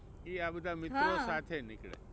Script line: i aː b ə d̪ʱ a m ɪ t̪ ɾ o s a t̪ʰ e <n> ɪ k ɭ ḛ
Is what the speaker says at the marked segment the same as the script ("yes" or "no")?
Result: yes